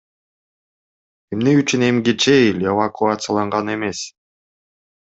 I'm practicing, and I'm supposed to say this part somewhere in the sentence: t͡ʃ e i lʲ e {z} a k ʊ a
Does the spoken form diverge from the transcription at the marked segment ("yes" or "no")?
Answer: yes